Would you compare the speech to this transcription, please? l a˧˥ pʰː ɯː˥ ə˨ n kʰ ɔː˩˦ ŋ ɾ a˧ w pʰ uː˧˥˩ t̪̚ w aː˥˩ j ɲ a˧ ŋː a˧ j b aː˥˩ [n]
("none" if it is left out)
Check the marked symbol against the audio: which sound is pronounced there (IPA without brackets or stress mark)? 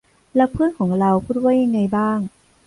ŋ